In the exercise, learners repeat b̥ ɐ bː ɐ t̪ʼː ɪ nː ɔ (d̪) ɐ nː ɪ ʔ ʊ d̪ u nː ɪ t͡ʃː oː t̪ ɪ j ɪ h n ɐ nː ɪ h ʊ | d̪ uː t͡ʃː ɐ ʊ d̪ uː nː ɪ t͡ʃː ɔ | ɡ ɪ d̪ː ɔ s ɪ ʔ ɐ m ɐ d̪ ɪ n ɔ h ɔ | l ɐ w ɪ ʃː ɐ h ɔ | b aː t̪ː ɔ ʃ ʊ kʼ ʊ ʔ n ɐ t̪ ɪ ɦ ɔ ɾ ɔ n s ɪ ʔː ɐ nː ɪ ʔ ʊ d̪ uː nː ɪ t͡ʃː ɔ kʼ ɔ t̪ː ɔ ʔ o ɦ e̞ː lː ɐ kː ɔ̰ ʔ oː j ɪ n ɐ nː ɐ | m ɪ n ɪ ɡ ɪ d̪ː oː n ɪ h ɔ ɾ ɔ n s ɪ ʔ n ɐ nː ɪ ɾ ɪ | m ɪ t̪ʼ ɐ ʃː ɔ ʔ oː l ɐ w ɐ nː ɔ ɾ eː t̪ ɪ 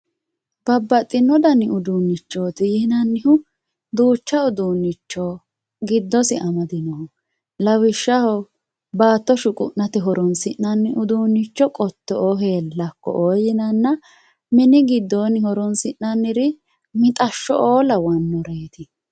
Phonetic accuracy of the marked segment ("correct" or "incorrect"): correct